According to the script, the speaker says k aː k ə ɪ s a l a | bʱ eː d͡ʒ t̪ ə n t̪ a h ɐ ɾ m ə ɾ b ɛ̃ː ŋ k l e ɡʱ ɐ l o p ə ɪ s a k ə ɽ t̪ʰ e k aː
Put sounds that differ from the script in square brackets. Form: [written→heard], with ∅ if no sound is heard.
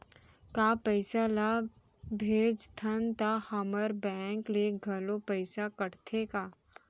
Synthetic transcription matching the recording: k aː [k→p] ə ɪ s a l a | bʱ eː d͡ʒ [t̪→t̪ʰ] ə n t̪ a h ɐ [ɾ→∅] m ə ɾ b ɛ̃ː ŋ k l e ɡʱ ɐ l o p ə ɪ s a k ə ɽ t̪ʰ e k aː

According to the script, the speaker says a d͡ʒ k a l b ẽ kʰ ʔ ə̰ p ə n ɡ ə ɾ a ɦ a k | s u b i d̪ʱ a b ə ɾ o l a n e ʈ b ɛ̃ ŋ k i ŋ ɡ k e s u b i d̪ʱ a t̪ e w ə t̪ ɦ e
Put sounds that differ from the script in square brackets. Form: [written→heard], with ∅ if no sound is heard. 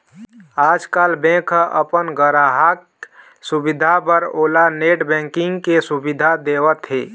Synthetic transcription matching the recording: a d͡ʒ k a l b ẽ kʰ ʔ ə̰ p ə n ɡ ə ɾ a ɦ a k | s u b i d̪ʱ a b ə ɾ o l a n e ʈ b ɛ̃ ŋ k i ŋ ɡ k e s u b i d̪ʱ a [t̪→d̪] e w ə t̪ ɦ e

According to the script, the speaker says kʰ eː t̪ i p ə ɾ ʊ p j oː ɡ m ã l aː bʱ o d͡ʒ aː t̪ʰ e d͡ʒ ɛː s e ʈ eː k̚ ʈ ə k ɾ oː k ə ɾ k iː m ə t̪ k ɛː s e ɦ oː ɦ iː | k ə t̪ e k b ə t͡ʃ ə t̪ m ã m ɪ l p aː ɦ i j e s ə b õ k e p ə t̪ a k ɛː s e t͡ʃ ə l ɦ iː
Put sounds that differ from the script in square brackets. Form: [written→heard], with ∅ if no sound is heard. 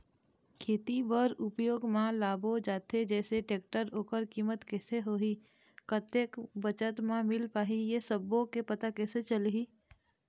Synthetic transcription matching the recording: kʰ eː t̪ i [p→b] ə ɾ ʊ p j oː ɡ m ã l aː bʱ o d͡ʒ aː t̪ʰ e d͡ʒ ɛː s e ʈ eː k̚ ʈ ə [k→∅] ɾ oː k ə ɾ k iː m ə t̪ k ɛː s e ɦ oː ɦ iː | k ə t̪ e k b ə t͡ʃ ə t̪ m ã m ɪ l p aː ɦ i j e s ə b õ k e p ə t̪ a k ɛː s e t͡ʃ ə l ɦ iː

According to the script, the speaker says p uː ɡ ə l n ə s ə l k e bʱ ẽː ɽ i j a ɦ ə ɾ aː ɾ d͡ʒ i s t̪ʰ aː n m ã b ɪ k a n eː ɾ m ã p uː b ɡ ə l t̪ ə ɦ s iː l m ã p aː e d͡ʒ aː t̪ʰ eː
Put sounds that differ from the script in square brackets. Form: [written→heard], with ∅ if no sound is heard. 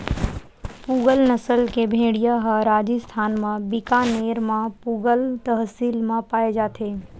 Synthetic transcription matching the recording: p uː ɡ ə l n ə s ə l k e bʱ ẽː ɽ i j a ɦ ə ɾ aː [ɾ→∅] d͡ʒ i s t̪ʰ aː n m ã b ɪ k a n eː ɾ m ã p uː [b→∅] ɡ ə l t̪ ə ɦ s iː l m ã p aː e d͡ʒ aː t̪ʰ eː

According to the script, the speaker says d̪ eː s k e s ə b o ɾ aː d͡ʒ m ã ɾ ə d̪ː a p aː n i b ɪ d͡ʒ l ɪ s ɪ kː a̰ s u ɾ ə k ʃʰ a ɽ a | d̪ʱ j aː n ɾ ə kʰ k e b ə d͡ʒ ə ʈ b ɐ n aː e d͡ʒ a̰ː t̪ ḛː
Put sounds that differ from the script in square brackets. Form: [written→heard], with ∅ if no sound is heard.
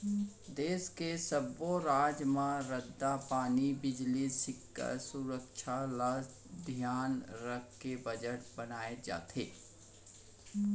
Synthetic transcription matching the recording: d̪ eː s k e s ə b o ɾ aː d͡ʒ m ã ɾ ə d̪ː a p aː n i b ɪ d͡ʒ l [ɪ→i] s ɪ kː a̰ s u ɾ ə k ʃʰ a [ɽ→l] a | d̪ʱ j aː n ɾ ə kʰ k e b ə d͡ʒ ə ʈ b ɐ n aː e d͡ʒ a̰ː t̪ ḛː

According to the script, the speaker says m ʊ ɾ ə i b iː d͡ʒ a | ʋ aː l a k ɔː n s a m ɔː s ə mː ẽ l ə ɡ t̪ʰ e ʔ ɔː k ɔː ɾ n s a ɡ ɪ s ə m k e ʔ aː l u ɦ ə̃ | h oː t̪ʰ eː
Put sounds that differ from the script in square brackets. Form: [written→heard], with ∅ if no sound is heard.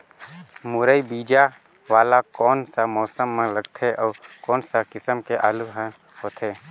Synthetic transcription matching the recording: m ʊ ɾ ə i b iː d͡ʒ a | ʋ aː l a k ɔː n s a m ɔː s ə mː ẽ l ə ɡ t̪ʰ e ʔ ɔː k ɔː [ɾ→∅] n s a [ɡ→k] ɪ s ə m k e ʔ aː l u ɦ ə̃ | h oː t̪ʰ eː

